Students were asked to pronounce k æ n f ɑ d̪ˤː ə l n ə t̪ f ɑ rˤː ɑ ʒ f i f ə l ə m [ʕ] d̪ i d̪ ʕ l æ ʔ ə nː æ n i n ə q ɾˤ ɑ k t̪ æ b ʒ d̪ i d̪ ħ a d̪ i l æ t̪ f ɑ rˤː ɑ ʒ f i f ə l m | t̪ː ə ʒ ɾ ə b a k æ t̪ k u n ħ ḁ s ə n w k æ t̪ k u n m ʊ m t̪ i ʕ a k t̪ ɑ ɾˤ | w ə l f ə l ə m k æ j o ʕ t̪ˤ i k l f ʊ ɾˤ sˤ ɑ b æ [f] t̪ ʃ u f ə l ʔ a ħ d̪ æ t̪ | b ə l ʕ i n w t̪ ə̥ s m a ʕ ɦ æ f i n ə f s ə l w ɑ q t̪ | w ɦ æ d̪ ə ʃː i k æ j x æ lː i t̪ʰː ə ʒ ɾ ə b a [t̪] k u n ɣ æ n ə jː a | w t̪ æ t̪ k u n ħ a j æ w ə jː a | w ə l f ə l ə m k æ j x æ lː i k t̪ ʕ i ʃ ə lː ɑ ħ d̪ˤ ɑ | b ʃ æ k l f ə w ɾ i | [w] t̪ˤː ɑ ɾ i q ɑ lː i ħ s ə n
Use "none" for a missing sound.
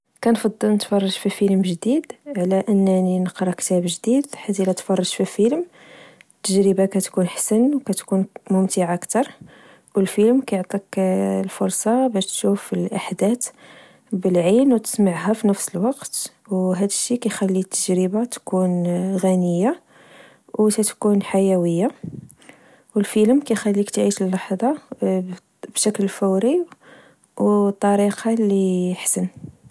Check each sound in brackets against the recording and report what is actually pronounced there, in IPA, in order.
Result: ʒ, ʃ, t̪, w

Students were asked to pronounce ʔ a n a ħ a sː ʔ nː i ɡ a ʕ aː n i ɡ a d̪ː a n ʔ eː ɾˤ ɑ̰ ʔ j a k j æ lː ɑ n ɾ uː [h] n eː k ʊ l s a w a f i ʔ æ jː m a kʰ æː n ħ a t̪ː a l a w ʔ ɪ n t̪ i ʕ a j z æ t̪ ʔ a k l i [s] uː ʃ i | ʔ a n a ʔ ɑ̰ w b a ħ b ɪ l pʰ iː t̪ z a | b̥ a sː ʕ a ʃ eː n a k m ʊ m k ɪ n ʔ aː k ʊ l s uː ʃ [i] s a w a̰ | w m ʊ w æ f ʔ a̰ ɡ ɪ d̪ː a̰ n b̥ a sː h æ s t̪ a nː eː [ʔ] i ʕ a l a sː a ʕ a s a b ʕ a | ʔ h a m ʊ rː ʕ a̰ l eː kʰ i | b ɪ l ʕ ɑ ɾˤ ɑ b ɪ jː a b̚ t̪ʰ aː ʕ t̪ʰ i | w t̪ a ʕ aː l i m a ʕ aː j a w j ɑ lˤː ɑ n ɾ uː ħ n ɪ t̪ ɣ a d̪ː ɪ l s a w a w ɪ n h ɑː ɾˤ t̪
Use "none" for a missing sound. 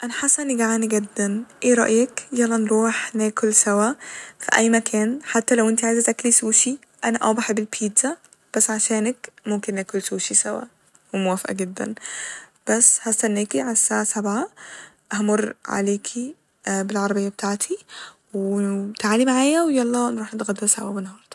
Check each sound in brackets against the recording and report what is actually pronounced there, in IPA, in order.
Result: ħ, s, i, k

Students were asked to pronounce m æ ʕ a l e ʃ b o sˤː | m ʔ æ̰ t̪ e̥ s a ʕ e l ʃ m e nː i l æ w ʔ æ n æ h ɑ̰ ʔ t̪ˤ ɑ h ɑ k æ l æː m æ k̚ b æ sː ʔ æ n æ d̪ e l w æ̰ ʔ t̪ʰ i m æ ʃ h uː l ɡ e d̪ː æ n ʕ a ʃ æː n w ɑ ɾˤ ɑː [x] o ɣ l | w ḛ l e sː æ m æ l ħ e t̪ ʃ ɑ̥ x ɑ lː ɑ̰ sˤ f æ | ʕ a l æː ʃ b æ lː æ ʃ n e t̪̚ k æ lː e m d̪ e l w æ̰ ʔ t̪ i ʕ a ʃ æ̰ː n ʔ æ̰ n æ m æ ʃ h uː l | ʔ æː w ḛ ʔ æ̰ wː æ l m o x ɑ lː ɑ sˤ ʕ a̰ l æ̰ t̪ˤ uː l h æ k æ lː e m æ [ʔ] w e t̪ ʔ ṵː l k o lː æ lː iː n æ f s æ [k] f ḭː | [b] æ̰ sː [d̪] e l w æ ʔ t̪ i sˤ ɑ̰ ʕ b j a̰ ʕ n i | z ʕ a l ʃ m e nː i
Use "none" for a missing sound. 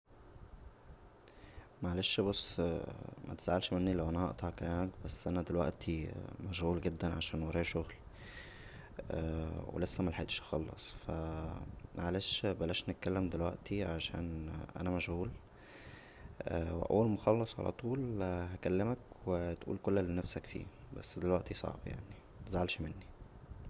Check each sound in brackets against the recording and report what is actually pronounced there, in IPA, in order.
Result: ʃ, k, k, b, d̪

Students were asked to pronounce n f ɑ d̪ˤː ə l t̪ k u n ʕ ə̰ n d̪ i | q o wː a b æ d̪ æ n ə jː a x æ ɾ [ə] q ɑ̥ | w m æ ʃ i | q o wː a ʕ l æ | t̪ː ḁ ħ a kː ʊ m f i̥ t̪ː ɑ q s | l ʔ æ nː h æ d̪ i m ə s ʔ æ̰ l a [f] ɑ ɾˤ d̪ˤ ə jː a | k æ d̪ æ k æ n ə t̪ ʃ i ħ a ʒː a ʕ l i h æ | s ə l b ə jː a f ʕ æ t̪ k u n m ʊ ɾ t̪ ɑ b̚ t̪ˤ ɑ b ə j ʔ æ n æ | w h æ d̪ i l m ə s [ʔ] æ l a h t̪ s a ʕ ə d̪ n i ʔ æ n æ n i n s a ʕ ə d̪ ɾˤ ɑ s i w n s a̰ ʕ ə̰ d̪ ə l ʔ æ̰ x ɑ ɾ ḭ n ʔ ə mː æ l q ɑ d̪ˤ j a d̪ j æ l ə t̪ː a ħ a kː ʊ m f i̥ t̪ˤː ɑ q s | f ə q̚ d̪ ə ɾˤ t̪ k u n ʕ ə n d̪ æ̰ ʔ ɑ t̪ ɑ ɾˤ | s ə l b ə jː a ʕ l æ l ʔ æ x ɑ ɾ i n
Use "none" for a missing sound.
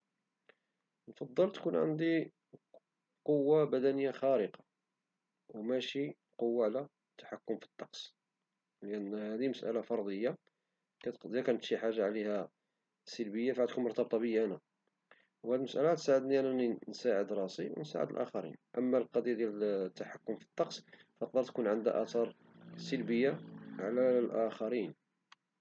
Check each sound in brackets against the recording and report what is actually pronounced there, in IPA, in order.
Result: ə, f, ʔ

